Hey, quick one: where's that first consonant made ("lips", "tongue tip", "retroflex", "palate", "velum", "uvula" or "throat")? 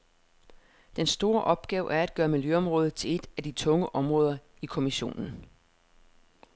tongue tip